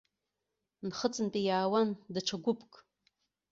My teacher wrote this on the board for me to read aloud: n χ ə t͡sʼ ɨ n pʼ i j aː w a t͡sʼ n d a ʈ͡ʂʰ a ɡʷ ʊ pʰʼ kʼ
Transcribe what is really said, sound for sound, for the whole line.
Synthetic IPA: n χ ə t͡sʼ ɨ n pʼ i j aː w a n d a ʈ͡ʂʰ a ɡʷ ʊ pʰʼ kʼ